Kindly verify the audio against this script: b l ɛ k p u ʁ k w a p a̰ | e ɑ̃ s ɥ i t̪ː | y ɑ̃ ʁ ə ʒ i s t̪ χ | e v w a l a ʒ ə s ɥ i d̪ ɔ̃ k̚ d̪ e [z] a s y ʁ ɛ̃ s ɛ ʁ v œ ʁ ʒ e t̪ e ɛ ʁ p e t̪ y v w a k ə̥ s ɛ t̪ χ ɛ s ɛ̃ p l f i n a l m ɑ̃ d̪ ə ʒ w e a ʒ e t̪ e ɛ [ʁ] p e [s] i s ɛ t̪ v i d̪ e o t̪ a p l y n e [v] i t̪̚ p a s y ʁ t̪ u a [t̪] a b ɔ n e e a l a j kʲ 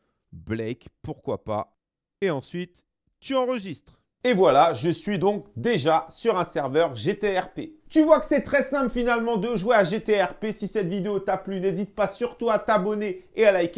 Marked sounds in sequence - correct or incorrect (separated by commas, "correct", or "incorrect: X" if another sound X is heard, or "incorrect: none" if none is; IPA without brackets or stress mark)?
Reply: incorrect: ʒ, correct, correct, incorrect: z, correct